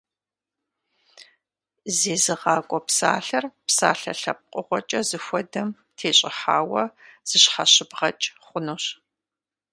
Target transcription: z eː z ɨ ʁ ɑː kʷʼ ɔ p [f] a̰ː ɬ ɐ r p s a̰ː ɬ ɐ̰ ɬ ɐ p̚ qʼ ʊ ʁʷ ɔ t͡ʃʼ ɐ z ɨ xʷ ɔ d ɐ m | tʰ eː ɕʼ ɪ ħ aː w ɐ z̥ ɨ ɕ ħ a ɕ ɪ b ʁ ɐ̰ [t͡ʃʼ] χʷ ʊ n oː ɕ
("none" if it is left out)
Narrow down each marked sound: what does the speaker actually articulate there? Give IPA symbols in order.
s, t͡ʃʼ

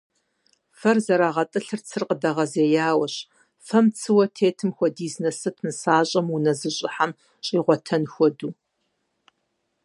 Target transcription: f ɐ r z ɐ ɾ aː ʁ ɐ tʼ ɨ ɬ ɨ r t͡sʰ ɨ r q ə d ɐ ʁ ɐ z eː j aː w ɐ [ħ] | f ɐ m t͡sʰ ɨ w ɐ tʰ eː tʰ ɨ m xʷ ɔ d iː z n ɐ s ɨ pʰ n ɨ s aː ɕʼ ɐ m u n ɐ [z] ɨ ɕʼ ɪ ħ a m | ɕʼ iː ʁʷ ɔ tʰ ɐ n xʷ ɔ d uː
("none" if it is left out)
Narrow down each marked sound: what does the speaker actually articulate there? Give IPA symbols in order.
ɕ, z

